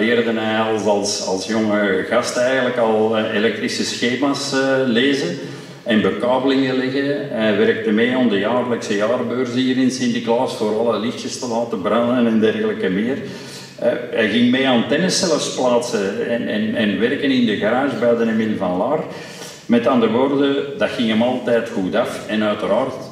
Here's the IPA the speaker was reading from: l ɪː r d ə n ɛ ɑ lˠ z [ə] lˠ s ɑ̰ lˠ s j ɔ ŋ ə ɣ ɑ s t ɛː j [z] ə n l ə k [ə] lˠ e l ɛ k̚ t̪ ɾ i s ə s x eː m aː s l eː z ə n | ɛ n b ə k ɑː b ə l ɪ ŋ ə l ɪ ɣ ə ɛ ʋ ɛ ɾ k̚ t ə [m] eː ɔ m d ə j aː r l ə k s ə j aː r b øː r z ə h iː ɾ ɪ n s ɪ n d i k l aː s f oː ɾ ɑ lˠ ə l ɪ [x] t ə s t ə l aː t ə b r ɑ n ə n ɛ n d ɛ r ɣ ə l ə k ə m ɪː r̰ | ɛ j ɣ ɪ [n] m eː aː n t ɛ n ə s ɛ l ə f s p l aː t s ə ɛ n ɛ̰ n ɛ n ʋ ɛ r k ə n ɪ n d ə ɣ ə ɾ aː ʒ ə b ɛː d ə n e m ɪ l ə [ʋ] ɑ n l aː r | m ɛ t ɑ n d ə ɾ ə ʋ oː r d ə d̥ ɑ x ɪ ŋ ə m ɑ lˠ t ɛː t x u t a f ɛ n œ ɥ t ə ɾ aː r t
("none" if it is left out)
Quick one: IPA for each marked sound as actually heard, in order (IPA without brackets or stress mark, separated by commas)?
ɑ, ɣ, ɑ, m, x, ŋ, v